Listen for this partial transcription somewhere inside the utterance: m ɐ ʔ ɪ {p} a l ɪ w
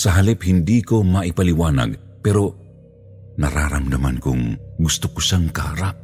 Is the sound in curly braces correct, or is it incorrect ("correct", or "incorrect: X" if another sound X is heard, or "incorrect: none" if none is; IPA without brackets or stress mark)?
correct